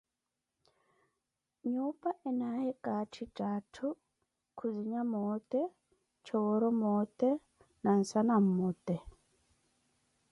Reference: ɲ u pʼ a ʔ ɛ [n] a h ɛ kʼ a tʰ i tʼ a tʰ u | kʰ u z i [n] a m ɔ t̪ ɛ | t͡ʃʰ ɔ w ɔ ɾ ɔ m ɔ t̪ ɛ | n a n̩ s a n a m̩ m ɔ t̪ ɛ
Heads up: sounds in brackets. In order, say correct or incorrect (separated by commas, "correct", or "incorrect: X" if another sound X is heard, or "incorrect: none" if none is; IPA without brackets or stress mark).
correct, incorrect: ɲ